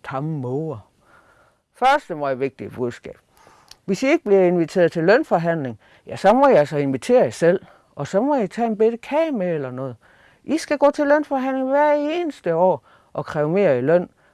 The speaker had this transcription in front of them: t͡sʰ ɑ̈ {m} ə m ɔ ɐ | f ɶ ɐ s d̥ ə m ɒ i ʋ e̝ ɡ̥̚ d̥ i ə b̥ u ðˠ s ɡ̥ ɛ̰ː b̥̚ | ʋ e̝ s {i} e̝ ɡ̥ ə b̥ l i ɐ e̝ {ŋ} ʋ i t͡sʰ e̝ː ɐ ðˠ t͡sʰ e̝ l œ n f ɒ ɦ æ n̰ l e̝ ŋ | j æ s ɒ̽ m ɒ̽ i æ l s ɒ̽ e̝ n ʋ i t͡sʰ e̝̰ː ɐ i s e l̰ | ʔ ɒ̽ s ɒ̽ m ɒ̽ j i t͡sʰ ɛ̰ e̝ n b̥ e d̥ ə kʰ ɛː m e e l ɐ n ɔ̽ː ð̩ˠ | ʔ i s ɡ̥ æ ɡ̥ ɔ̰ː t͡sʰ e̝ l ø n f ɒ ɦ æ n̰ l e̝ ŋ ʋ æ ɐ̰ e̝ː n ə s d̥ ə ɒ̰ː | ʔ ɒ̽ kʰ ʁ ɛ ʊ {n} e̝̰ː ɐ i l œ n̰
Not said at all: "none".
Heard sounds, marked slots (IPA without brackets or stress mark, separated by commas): m, i, n, m